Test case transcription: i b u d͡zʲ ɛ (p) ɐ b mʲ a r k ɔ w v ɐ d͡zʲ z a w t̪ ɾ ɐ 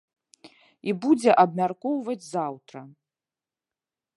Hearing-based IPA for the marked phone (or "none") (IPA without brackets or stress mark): ʔ